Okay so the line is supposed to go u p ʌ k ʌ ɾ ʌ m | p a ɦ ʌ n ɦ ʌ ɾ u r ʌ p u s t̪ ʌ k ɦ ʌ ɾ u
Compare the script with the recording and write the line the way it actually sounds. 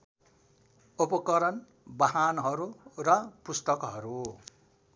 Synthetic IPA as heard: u p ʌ k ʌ ɾ ʌ n | b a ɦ a n ɦ ʌ ɾ u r ʌ p u s t̪ ʌ k ɦ ʌ ɾ u

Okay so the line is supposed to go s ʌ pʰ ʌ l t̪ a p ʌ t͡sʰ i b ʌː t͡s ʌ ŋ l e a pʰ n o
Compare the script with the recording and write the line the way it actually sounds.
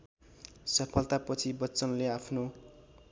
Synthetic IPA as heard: s ʌ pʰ ʌ l t̪ a p ʌ t͡sʰ i b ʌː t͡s ʌ n l e a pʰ n o

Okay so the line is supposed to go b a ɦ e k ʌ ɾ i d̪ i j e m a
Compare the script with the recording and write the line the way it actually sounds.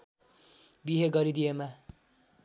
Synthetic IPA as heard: b i ɦ e ɡ ʌ ɾ i d̪ i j e m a

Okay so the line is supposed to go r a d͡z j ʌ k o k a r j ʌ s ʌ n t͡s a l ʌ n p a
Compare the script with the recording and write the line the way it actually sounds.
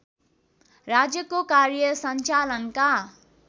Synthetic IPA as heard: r a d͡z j ʌ k o k a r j ʌ s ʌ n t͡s a l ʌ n k a

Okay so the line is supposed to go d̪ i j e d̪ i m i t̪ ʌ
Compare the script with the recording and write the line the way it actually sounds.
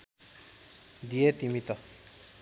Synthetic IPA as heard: d̪ i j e t̪ i m i t̪ ʌ

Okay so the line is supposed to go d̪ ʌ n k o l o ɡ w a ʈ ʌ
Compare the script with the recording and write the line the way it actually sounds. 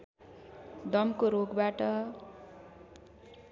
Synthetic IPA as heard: d̪ ʌ m k o ɾ o ɡ b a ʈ ʌ

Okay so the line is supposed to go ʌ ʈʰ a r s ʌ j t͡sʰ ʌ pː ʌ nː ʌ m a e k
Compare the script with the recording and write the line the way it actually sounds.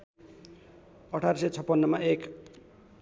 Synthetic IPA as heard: ʌ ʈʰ a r s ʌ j t͡sʰ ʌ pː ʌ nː ʌ m a e k

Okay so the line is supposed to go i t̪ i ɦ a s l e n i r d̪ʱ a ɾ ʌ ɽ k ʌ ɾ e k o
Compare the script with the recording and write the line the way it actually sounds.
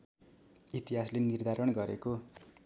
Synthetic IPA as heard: i t̪ i ɦ a s l e n i r d̪ʱ a ɾ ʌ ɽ ɡ ʌ ɾ e k o

